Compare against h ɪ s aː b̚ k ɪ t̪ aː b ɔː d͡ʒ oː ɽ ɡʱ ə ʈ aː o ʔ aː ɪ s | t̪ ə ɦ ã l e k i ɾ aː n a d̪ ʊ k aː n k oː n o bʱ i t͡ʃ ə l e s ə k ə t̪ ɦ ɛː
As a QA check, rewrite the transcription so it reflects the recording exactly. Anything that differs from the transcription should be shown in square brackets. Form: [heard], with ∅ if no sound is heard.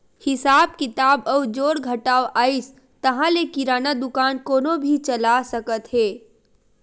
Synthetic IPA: h ɪ s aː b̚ k ɪ t̪ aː b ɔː d͡ʒ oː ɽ ɡʱ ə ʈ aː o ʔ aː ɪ s | t̪ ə ɦ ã l e k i ɾ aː n a d̪ ʊ k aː n k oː n o bʱ i t͡ʃ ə l [a] s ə k ə t̪ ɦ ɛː